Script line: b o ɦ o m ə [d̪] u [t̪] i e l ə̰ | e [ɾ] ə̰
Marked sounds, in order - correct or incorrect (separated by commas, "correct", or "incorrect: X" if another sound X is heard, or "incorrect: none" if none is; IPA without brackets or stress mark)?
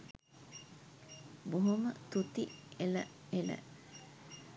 incorrect: t̪, correct, incorrect: l